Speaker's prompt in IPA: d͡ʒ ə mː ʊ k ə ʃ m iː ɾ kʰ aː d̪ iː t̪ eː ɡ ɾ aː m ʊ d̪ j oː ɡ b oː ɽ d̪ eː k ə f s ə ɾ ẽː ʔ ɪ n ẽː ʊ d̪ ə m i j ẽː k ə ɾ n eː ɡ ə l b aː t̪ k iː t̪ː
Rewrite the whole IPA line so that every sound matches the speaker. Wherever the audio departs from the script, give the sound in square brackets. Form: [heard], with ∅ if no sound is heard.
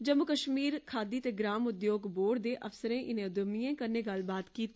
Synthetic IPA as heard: d͡ʒ ə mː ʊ k ə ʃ m iː ɾ kʰ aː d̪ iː t̪ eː ɡ ɾ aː m ʊ d̪ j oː ɡ b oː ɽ d̪ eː [ʔ] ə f s ə ɾ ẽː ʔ ɪ n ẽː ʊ d̪ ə m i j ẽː k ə ɾ n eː ɡ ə l b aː t̪ k iː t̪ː

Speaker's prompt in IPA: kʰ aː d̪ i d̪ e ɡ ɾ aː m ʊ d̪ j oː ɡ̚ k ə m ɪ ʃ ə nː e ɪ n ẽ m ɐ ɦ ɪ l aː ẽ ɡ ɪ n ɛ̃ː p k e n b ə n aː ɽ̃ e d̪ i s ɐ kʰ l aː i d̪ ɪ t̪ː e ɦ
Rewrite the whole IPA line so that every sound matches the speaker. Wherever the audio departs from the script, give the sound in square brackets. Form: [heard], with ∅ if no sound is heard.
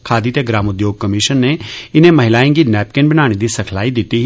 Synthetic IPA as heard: kʰ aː d̪ i [t̪] e ɡ ɾ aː m ʊ d̪ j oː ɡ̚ k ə m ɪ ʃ ə nː e ɪ n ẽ m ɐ ɦ ɪ l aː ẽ ɡ [i] n [ɛː] p k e n b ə n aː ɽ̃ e d̪ i s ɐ kʰ l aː i d̪ ɪ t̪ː [i] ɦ

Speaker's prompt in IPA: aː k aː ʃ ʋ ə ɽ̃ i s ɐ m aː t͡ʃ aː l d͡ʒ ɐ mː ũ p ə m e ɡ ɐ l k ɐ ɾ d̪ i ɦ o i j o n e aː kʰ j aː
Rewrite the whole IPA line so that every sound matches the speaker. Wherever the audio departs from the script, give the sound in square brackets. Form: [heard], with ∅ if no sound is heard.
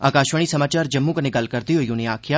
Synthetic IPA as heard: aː k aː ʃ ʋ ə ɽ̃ i s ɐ m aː t͡ʃ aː [ɾ] d͡ʒ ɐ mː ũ [k] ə [n] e ɡ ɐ l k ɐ ɾ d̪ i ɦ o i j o n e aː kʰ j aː

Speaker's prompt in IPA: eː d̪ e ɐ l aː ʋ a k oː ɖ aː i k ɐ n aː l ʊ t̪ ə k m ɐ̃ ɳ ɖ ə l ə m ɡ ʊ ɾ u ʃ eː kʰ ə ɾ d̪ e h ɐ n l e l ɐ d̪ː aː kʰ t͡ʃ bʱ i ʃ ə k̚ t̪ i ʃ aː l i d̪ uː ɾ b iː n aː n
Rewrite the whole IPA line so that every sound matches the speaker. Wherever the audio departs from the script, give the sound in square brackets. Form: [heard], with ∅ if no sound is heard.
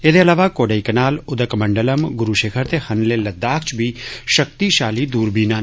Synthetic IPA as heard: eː d̪ e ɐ l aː ʋ a k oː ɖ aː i k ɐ n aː l ʊ [d̪] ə k m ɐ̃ ɳ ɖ ə l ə m ɡ ʊ ɾ u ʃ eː kʰ ə ɾ [t̪] e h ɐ n l e l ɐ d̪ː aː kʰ t͡ʃ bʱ i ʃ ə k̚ t̪ i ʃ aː l i d̪ uː ɾ b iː n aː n

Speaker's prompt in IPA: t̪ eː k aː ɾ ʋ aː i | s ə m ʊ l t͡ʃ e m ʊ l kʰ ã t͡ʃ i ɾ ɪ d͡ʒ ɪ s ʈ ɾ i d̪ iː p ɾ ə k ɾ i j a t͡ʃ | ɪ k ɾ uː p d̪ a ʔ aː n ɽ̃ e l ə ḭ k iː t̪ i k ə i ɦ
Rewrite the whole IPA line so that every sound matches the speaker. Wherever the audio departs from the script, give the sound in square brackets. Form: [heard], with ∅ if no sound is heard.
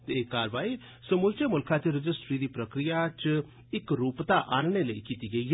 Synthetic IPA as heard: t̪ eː k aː ɾ ʋ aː i | s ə m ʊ l t͡ʃ e m ʊ l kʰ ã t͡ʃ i ɾ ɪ d͡ʒ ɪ s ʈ ɾ i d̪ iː p ɾ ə k ɾ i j a t͡ʃ | ɪ k ɾ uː p [t̪] a ʔ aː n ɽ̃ e l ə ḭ k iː t̪ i [ɡ] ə i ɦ

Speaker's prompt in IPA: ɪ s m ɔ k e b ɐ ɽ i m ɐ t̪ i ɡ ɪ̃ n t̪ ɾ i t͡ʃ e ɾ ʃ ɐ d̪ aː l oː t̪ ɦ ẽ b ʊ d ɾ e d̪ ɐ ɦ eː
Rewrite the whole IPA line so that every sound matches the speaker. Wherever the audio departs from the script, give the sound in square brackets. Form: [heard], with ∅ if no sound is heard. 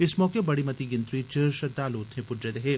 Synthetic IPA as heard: ɪ s m [ɔː] k e b ɐ ɽ i m ɐ t̪ i ɡ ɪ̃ n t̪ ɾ i t͡ʃ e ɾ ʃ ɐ d̪ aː l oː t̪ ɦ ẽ [p] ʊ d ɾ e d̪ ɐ ɦ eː

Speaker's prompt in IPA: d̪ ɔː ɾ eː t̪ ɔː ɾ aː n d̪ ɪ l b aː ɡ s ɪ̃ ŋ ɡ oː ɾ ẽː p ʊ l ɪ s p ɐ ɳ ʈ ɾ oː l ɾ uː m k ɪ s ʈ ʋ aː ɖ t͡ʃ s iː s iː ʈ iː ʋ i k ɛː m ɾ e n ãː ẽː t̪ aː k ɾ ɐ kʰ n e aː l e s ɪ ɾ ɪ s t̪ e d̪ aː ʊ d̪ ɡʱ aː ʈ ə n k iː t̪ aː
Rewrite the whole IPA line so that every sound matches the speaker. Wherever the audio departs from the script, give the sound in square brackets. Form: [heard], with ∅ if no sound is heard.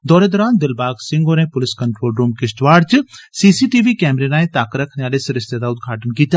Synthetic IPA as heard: d̪ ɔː ɾ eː [d̪] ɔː ɾ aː n d̪ ɪ l b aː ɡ s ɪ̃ ŋ ɡ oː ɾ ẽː p ʊ l ɪ s [k] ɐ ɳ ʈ ɾ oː l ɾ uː m k ɪ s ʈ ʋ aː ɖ t͡ʃ s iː s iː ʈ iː ʋ i k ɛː m ɾ e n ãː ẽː t̪ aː k ɾ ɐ kʰ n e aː l e s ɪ ɾ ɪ s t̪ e d̪ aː ʊ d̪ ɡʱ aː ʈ ə n k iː t̪ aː

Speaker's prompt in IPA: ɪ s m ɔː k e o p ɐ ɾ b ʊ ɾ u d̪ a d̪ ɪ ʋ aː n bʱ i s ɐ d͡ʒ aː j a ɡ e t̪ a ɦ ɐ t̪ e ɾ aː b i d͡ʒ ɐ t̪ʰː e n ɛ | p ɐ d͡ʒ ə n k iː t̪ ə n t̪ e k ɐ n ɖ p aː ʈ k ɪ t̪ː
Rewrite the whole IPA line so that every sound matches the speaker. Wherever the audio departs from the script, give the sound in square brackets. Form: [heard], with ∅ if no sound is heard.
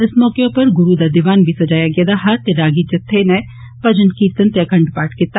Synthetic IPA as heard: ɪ s m ɔː k e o p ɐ ɾ [ɡ] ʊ ɾ u d̪ a d̪ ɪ ʋ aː n bʱ i s ɐ d͡ʒ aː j a ɡ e [d̪] a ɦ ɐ t̪ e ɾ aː [ɡ] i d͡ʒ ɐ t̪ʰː e n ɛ | p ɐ d͡ʒ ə n k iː t̪ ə n t̪ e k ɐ [ɳ] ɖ p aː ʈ k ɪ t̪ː

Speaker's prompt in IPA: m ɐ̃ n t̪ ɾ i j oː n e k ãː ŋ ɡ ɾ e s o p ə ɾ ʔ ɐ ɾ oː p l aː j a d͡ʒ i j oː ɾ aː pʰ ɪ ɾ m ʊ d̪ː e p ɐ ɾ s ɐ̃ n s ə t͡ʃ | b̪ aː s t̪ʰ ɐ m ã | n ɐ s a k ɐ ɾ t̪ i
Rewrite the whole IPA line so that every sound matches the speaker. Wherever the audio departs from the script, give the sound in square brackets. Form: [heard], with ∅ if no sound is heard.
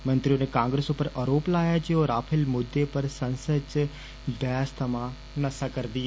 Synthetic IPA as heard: m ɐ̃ n t̪ ɾ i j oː n e k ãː ŋ ɡ ɾ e s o p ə ɾ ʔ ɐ ɾ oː p l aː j a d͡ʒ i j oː ɾ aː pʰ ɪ [l] m ʊ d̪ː e p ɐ ɾ s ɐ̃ n s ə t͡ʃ | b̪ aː s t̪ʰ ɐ m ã | n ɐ s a k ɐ ɾ [d̪] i

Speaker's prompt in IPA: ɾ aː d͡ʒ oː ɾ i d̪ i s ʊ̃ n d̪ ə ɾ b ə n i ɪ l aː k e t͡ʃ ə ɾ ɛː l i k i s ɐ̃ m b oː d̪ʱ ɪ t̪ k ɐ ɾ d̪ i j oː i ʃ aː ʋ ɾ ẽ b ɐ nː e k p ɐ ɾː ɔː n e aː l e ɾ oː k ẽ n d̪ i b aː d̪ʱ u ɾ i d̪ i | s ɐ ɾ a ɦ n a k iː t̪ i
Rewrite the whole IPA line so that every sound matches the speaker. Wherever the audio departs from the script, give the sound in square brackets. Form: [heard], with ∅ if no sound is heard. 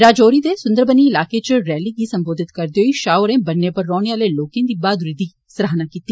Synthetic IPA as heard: ɾ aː d͡ʒ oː ɾ i d̪ [e] s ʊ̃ n d̪ ə ɾ b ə n i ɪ l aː k e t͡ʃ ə ɾ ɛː l i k i s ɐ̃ m b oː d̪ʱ ɪ t̪ k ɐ ɾ d̪ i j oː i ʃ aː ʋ ɾ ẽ b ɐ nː e [∅] p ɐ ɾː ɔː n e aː l e [l] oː k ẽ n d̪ i b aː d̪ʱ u ɾ i d̪ i | s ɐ ɾ a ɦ n a k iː t̪ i

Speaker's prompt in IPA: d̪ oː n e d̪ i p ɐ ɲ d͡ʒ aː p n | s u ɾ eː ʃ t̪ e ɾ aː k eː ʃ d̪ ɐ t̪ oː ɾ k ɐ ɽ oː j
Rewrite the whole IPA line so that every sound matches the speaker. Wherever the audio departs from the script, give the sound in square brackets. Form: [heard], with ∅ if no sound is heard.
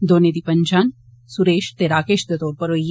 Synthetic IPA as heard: d̪ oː n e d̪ i p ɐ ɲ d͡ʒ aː [∅] n | s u ɾ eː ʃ t̪ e ɾ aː k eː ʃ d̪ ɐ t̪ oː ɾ [p] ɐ [ɾ] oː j

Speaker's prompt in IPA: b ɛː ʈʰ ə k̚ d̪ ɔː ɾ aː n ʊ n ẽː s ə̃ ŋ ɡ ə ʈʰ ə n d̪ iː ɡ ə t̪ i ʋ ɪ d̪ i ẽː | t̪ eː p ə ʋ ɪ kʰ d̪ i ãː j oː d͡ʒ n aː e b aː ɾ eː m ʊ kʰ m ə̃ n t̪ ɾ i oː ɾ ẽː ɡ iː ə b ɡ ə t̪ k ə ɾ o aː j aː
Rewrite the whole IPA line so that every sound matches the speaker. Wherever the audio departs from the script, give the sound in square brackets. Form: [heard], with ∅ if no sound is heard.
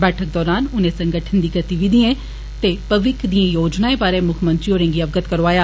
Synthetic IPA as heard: b ɛː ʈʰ ə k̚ d̪ ɔː ɾ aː n ʊ n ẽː s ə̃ ŋ ɡ ə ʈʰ ə n d̪ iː ɡ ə t̪ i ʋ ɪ d̪ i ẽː | t̪ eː p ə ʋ ɪ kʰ d̪ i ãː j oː d͡ʒ n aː e b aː ɾ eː m ʊ kʰ m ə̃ n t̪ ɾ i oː ɾ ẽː ɡ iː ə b ɡ ə t̪ k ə ɾ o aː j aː

